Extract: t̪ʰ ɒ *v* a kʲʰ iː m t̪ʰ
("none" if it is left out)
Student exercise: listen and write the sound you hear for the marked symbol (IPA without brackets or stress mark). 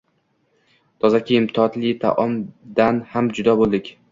z